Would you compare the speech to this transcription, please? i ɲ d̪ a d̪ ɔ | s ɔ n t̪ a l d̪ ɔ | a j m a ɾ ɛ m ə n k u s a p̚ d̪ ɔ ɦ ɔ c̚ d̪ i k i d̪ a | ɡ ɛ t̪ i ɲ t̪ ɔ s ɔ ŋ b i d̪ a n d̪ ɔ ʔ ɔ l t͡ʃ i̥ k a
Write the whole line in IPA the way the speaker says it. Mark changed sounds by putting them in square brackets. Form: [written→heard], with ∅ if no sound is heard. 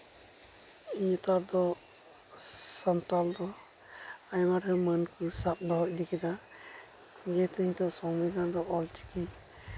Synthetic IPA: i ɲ [d̪→t̪] a d̪ ɔ | s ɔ n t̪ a l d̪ ɔ | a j m a ɾ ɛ m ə n k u s a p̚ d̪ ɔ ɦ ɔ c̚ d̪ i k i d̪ a | ɡ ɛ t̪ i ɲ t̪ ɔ s ɔ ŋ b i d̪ a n d̪ ɔ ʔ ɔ l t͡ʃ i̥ k [a→i]